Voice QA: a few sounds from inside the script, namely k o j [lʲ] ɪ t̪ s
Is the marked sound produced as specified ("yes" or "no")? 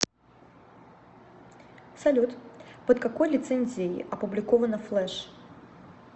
yes